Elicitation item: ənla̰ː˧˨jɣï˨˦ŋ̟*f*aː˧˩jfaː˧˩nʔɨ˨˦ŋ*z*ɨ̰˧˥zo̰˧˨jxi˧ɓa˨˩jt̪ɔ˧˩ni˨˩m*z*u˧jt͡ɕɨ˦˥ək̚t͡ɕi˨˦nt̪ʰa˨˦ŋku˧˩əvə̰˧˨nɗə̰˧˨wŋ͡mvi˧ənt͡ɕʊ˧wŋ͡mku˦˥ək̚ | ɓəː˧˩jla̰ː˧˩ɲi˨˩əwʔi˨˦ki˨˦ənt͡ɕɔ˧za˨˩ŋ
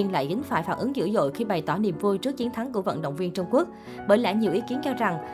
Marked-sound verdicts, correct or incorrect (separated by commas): correct, correct, incorrect